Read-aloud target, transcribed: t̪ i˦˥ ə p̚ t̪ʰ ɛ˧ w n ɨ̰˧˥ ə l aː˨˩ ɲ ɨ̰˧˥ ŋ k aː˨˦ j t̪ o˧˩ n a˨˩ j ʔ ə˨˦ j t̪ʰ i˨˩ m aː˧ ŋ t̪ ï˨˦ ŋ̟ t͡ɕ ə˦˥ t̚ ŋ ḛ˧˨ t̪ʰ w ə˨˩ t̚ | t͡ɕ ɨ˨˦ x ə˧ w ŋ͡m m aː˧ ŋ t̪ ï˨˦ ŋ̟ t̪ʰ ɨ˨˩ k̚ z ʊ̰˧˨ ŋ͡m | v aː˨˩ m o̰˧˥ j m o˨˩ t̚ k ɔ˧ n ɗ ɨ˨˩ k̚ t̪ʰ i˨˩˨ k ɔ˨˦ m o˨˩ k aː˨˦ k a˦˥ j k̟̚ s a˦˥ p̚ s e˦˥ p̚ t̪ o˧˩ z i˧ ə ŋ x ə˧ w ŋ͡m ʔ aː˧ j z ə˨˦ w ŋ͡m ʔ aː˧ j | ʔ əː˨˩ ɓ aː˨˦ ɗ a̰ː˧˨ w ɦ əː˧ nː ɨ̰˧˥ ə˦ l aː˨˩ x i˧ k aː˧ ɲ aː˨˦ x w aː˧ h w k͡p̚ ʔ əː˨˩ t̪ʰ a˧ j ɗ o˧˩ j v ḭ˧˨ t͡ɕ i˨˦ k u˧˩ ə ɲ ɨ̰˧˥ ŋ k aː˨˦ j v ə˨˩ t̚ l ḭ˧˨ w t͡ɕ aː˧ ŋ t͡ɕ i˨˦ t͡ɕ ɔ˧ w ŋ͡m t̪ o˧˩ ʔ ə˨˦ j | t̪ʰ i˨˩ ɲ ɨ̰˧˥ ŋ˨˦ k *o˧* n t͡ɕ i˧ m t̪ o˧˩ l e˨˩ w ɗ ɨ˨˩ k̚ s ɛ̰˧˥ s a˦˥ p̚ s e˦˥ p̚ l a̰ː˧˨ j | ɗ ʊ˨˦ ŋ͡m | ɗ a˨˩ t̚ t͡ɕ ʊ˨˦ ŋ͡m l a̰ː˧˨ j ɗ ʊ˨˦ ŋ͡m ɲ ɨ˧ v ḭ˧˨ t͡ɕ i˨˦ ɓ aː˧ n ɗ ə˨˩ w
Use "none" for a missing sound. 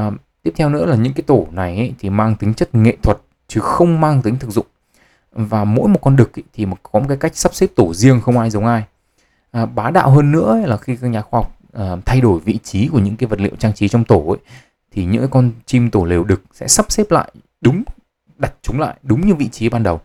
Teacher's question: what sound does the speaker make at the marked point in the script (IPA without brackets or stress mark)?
ɔ˧